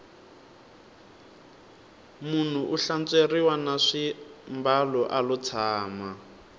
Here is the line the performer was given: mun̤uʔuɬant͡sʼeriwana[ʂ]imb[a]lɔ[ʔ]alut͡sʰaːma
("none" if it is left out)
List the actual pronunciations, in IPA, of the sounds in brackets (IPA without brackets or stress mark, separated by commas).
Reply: ʂ, a, ʔ